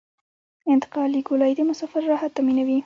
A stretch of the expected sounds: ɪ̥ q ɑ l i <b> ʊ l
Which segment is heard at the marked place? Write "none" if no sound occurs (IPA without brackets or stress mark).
ɡ